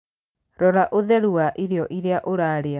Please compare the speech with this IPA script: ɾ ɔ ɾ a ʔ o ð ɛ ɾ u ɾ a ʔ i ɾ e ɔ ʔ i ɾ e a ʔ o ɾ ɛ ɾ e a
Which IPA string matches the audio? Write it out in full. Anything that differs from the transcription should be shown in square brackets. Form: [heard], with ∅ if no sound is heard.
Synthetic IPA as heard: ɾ ɔ ɾ a ʔ o ð ɛ ɾ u [∅] a ʔ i ɾ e ɔ ʔ i ɾ e a ʔ o ɾ [a] ɾ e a

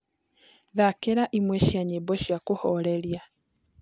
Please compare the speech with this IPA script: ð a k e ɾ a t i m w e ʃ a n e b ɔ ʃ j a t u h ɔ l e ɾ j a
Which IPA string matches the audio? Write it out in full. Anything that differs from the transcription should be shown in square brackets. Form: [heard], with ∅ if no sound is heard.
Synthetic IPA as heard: ð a k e ɾ a [ʔ] i m w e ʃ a [ɲ] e b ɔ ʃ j a [k] u h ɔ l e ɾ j a

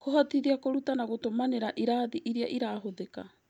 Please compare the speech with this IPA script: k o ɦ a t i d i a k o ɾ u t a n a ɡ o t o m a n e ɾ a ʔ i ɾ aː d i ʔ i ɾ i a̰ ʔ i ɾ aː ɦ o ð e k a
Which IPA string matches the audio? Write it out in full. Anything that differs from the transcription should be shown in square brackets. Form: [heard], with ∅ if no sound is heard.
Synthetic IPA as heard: k o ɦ a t i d i a k o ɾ u t a n a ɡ o t o m a n e ɾ a ʔ i ɾ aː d i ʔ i ɾ i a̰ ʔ i ɾ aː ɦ o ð e k a

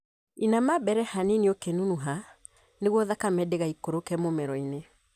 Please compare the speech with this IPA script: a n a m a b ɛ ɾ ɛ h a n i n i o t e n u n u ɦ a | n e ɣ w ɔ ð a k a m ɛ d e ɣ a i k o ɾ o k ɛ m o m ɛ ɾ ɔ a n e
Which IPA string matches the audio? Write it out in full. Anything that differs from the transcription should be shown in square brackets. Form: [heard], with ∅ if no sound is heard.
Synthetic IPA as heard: [i] n a m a b ɛ ɾ ɛ h a n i n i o [k] e n u n u ɦ a | n e ɣ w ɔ ð a k a m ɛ d e ɣ a i k o ɾ o k ɛ m o m ɛ ɾ ɔ [i] n e

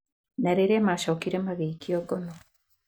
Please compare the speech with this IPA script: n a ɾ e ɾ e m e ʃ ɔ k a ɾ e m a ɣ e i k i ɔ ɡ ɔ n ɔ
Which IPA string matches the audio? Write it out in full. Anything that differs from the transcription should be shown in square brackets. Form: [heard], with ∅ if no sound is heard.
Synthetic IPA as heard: n a ɾ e ɾ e m [a] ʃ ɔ k [i] ɾ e m a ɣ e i k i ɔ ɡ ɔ n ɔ

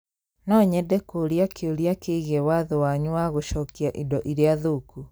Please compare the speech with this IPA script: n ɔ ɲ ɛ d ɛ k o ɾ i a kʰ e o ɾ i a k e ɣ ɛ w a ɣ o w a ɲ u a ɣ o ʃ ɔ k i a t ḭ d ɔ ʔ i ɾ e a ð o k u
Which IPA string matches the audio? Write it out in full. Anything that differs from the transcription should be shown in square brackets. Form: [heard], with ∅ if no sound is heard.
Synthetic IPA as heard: n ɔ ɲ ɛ d ɛ k o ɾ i a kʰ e o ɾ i a k e ɣ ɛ w a [ð] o w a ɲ u a ɣ o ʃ ɔ k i a [ʔ] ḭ d ɔ ʔ i ɾ e a ð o k u

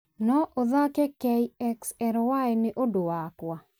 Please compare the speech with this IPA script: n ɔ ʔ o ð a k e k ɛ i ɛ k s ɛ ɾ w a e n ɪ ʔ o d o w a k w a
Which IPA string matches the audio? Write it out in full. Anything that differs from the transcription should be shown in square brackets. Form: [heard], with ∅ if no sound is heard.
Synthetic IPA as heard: n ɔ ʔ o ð a k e k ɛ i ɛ k s ɛ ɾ w a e n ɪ ʔ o d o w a k w a

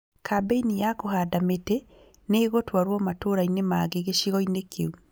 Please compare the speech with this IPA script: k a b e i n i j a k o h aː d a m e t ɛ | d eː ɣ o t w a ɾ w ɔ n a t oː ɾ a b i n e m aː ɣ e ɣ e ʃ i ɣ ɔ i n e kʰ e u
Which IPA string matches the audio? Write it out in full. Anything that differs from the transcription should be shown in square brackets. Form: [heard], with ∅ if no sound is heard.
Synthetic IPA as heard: k a b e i n i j a k o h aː d a m e t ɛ | [n] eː ɣ o t w a ɾ w ɔ [m] a t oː ɾ a [∅] i n e m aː ɣ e ɣ e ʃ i ɣ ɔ i n e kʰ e u

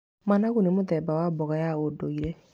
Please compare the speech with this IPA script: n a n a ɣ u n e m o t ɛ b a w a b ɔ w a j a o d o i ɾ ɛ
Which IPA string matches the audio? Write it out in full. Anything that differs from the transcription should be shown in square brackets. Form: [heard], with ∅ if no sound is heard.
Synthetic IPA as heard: [m] a n a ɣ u n e m o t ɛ b a w a b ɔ [ɣ] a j a o d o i ɾ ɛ

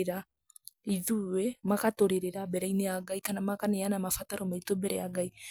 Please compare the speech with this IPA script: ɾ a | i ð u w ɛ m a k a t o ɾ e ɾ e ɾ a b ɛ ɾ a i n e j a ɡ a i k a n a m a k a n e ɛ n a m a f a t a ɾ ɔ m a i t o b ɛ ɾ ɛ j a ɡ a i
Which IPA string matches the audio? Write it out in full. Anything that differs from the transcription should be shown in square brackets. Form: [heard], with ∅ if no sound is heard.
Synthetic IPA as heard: ɾ a | i ð u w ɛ m a k a t o ɾ e ɾ e ɾ a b ɛ ɾ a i n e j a ɡ a i k a n a m a k a n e [a] n a m a f a t a ɾ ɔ m a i t o b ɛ ɾ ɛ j a ɡ a i

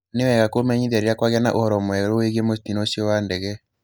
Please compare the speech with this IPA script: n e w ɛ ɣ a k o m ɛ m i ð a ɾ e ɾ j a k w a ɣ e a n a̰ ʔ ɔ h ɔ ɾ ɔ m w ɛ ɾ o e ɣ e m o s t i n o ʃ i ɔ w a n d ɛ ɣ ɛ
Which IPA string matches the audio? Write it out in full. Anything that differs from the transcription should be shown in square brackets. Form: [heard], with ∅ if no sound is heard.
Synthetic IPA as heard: n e w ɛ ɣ a k o m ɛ [ɲ] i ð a ɾ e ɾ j a k w a ɣ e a n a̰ ʔ [o] h ɔ ɾ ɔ m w ɛ ɾ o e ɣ e m o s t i n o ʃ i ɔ w a n d ɛ ɣ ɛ

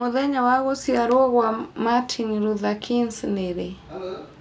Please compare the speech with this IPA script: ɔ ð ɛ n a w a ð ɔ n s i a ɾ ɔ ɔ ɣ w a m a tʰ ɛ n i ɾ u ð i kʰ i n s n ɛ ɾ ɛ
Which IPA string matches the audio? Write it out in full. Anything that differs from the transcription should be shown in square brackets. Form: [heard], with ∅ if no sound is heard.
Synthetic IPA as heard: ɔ ð ɛ [ɲ] a w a [ɣ] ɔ [∅] s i a ɾ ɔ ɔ ɣ w a m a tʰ [i] n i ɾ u ð [a] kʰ i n s n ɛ ɾ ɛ

